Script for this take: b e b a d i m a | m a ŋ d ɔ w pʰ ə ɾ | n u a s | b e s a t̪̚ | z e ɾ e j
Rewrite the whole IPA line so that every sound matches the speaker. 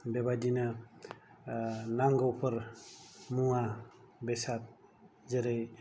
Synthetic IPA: b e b a d i n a | n a ŋ ɡ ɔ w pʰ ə ɾ | m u a | b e s a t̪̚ | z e ɾ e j